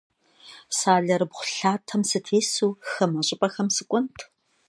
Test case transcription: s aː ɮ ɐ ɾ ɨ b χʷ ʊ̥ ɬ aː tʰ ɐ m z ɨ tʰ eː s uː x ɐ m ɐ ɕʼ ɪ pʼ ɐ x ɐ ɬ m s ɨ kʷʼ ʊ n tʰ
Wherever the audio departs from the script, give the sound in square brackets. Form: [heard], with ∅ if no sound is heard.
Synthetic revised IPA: s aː ɮ ɐ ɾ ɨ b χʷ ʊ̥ ɬ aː tʰ ɐ m [s] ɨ tʰ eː s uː x ɐ m ɐ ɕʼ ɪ pʼ ɐ x ɐ [∅] m s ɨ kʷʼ ʊ n tʰ